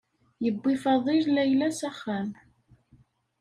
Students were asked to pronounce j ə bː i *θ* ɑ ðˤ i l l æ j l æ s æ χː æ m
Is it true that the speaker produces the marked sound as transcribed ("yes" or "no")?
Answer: no